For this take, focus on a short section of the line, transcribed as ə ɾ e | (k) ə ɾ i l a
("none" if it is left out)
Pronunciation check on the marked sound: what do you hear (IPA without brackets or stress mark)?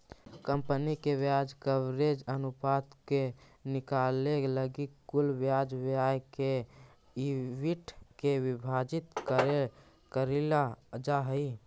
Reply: k